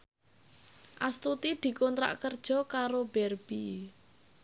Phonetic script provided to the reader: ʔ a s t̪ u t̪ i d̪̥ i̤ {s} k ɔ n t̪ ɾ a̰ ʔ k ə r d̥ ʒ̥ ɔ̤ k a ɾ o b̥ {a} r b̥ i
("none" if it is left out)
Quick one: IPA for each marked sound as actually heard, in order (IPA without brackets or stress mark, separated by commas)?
none, ɛ